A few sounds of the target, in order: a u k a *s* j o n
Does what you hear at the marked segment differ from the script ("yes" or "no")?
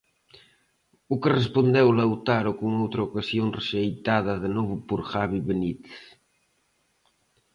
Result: no